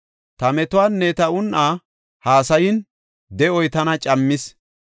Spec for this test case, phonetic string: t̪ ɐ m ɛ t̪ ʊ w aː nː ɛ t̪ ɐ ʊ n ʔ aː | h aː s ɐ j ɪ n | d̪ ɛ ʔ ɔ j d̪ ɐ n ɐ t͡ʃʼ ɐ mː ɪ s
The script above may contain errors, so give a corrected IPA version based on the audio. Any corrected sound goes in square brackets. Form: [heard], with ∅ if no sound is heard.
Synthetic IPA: t̪ ɐ m ɛ t̪ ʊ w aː nː ɛ t̪ ɐ ʊ n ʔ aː | h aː s ɐ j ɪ n | d̪ ɛ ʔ ɔ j [t̪] ɐ n ɐ t͡ʃʼ ɐ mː ɪ s

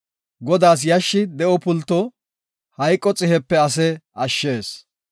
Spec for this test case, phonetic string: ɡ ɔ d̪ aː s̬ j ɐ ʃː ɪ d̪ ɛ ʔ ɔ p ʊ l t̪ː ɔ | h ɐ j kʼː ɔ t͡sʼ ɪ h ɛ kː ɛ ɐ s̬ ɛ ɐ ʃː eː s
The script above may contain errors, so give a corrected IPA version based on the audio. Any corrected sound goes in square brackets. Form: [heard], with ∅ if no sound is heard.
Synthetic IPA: ɡ ɔ d̪ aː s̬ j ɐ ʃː ɪ d̪ ɛ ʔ ɔ p ʊ l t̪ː ɔ | h ɐ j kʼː ɔ t͡sʼ ɪ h ɛ [pː] ɛ ɐ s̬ ɛ ɐ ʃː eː s

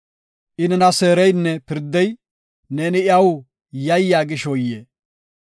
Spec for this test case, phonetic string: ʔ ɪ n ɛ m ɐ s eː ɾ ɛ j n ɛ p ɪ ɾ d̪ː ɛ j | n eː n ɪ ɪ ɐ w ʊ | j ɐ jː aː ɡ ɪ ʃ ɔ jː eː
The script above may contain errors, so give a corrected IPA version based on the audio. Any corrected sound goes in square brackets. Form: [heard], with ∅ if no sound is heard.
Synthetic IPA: ʔ ɪ n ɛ [n] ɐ s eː ɾ ɛ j [nː] ɛ p ɪ ɾ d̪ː ɛ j | n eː n ɪ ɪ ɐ w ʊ | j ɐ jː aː ɡ ɪ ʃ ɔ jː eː

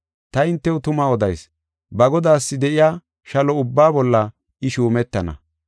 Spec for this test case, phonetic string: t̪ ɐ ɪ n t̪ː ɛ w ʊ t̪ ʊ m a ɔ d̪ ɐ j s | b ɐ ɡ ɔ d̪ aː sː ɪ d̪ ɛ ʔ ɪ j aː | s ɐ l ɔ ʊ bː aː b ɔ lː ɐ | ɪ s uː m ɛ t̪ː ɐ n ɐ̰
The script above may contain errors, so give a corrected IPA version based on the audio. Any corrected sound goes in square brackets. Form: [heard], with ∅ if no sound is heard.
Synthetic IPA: t̪ ɐ ɪ n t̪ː ɛ w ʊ t̪ ʊ m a ɔ d̪ ɐ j s | b ɐ ɡ ɔ d̪ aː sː ɪ d̪ ɛ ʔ ɪ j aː | [ʃ] ɐ l ɔ ʊ bː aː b ɔ lː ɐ | ɪ [ʃ] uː m ɛ t̪ː ɐ n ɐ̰

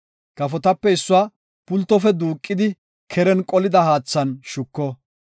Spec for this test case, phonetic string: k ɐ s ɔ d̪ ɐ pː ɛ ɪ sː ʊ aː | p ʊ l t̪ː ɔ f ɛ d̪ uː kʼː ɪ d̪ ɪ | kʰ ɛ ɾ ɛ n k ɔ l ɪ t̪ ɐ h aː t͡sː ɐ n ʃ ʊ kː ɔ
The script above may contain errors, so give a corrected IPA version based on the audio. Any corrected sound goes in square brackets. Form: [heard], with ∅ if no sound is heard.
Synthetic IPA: k ɐ [f] ɔ [t̪] ɐ pː ɛ ɪ sː ʊ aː | p ʊ l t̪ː ɔ f ɛ d̪ uː kʼː ɪ d̪ ɪ | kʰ ɛ ɾ ɛ n [kʼ] ɔ l ɪ [d̪] ɐ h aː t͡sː ɐ n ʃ ʊ kː ɔ

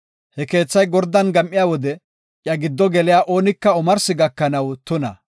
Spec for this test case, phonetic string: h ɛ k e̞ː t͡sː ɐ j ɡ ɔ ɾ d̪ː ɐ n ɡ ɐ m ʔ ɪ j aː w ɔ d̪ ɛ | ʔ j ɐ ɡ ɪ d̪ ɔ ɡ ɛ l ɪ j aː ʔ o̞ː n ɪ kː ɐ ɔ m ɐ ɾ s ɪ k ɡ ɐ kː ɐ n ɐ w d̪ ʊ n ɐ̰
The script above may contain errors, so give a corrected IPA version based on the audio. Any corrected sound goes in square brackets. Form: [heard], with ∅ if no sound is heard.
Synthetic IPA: h ɛ k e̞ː t͡sː ɐ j ɡ ɔ ɾ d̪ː ɐ n ɡ ɐ m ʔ ɪ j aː w ɔ d̪ ɛ | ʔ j ɐ ɡ ɪ [d̪ː] ɔ ɡ ɛ l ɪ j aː ʔ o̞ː n ɪ kː ɐ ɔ m ɐ ɾ s ɪ [∅] ɡ ɐ kː ɐ n ɐ w [t̪] ʊ n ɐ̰

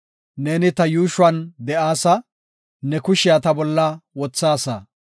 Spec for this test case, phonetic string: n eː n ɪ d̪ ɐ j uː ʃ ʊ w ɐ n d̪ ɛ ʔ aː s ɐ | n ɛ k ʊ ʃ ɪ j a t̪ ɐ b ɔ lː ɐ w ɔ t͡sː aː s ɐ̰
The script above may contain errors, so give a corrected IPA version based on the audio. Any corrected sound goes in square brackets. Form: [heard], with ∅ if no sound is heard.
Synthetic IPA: n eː n ɪ [t̪] ɐ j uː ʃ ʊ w ɐ n d̪ ɛ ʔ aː s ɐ | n ɛ k ʊ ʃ ɪ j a t̪ ɐ b ɔ lː ɐ w ɔ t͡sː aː s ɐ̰

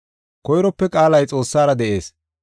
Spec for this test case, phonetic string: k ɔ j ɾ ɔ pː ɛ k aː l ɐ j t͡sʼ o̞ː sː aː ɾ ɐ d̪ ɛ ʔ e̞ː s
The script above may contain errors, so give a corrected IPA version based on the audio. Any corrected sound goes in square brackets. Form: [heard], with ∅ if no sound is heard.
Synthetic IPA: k ɔ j ɾ ɔ pː ɛ [kʼ] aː l ɐ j t͡sʼ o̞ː sː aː ɾ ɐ d̪ ɛ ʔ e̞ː s

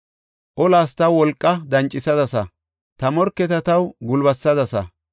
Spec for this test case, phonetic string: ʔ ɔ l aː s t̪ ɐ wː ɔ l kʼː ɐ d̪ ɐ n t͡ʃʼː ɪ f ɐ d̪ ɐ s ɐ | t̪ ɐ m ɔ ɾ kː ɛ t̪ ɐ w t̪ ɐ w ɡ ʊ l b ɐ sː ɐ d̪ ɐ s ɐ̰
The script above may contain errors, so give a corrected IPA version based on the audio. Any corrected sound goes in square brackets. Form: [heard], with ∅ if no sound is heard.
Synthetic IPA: ʔ ɔ l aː s t̪ ɐ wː ɔ l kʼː ɐ d̪ ɐ n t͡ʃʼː ɪ [s] ɐ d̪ ɐ s ɐ | t̪ ɐ m ɔ ɾ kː ɛ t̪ ɐ [∅] t̪ ɐ w ɡ ʊ l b ɐ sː ɐ d̪ ɐ s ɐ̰

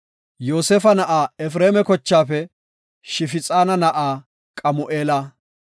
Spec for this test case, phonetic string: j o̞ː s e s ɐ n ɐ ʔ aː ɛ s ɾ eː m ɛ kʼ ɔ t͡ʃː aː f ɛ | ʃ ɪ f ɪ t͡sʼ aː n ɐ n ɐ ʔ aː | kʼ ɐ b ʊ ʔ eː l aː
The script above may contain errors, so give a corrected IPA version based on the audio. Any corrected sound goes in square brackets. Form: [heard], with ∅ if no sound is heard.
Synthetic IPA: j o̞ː s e [f] ɐ n ɐ ʔ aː ɛ [f] ɾ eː m ɛ [k] ɔ t͡ʃː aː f ɛ | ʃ ɪ f ɪ t͡sʼ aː n ɐ n ɐ ʔ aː | kʼ ɐ [m] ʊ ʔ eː l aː

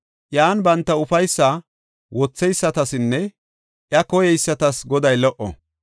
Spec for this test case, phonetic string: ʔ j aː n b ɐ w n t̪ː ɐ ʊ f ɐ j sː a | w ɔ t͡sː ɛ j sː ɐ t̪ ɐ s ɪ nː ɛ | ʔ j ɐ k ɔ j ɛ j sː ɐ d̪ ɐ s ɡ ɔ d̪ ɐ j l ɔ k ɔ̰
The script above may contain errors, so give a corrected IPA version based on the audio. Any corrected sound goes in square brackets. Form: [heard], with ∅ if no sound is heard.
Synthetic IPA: ʔ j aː n b ɐ [∅] n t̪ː ɐ ʊ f ɐ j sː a | w ɔ t͡sː ɛ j sː ɐ t̪ ɐ s ɪ nː ɛ | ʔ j ɐ k ɔ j ɛ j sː ɐ [t̪] ɐ s ɡ ɔ d̪ ɐ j l ɔ [ʔ] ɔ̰

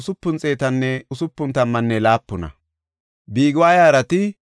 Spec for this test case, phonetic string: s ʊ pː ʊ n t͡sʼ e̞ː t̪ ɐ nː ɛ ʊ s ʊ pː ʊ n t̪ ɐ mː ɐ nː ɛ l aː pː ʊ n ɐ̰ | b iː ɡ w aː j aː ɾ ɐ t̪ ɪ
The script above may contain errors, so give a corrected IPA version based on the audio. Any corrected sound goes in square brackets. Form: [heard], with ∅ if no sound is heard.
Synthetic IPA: s ʊ pː ʊ n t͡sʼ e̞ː t̪ ɐ nː ɛ ʊ s ʊ pː ʊ n t̪ ɐ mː ɐ nː ɛ l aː pː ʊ n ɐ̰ | b iː ɡ w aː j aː ɾ ɐ t̪ ɪ

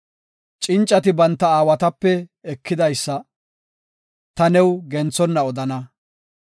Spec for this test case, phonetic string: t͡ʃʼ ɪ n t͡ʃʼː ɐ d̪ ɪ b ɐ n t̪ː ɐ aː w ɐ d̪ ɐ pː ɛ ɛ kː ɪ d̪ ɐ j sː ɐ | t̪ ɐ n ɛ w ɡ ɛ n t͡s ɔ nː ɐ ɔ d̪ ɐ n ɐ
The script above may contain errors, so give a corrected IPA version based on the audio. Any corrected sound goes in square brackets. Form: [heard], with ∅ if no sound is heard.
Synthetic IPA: t͡ʃʼ ɪ n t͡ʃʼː ɐ [t̪] ɪ b ɐ n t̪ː ɐ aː w ɐ [t̪] ɐ pː ɛ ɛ kː ɪ d̪ ɐ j sː ɐ | t̪ ɐ n ɛ w ɡ ɛ n t͡s ɔ nː ɐ ɔ d̪ ɐ n ɐ

